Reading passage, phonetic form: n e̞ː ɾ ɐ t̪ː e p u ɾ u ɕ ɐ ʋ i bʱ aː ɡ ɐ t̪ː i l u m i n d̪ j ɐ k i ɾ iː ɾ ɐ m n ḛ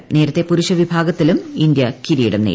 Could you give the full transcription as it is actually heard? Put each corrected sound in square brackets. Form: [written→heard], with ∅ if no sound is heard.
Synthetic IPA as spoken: n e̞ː ɾ ɐ t̪ː e p u ɾ u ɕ ɐ ʋ i bʱ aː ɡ ɐ t̪ː i l u m i n d̪ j ɐ k i ɾ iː [ɾ→ɽ] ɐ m n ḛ